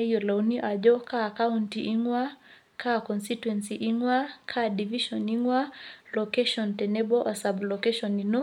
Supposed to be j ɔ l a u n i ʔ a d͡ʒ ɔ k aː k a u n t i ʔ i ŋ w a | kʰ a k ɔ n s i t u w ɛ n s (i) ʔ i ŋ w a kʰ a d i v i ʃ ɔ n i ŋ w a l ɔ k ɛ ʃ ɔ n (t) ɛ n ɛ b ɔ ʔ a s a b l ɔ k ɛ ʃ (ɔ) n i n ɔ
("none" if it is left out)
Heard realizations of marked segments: i, t, ɔ

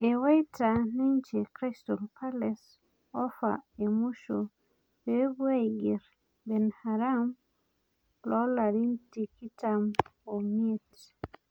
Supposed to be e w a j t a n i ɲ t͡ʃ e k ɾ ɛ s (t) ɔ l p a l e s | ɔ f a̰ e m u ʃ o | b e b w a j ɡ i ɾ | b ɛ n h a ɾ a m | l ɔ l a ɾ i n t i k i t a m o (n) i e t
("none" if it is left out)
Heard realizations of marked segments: t, m

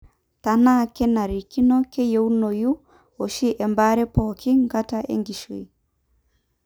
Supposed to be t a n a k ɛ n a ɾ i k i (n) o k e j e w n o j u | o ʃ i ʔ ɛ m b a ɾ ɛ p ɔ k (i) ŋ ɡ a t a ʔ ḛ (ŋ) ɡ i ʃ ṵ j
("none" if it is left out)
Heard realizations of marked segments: n, i, ŋ

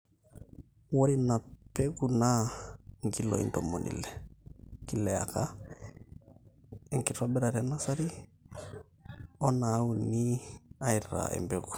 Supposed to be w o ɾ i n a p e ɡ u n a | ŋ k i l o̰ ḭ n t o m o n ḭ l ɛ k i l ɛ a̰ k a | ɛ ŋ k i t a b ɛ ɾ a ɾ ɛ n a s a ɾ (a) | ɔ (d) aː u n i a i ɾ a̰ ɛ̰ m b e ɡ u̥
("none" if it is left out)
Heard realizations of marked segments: i, n

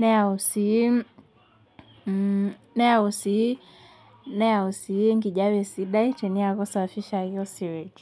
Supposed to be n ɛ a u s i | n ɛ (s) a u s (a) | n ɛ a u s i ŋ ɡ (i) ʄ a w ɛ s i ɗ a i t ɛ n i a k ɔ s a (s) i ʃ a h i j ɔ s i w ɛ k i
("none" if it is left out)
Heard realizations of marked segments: none, i, i, f

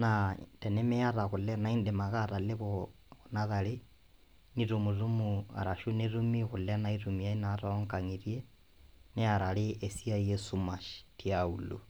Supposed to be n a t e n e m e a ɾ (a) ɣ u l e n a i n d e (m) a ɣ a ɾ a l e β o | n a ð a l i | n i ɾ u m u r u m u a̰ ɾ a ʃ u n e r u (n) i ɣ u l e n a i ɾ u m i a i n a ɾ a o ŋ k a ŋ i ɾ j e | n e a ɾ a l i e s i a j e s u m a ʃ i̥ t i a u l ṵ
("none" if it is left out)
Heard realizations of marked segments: a, m, m

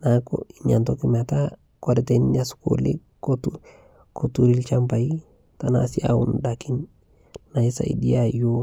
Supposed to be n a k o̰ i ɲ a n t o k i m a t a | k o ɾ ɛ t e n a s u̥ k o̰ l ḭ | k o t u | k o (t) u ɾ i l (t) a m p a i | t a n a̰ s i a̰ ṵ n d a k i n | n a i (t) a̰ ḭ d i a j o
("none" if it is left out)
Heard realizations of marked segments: t, t͡ʃ, s

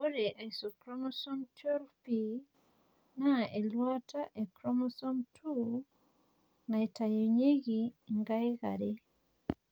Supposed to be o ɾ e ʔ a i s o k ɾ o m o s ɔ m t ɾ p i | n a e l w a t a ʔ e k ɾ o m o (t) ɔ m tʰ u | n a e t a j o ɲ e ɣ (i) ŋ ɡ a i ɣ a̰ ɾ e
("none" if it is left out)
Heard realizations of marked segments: s, i

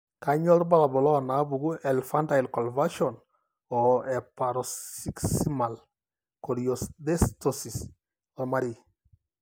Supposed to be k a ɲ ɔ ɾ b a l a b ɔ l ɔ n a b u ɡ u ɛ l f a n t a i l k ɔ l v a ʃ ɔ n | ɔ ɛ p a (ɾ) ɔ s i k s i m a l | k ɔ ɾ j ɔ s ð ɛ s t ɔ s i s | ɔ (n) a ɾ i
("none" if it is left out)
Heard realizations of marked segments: ɾ, m

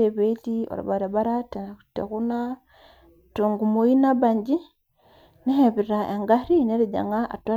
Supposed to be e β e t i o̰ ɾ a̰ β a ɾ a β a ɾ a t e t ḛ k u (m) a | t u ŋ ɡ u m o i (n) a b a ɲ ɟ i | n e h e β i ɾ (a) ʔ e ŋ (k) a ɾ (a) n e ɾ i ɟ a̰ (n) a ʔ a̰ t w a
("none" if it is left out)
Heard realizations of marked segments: n, n, a, ɡ, i, ŋ

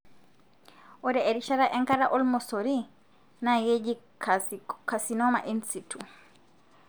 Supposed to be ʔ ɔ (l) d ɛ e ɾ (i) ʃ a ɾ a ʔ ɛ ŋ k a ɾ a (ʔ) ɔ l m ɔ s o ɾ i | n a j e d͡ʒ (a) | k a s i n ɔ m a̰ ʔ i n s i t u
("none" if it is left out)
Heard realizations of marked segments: none, i, ʔ, i

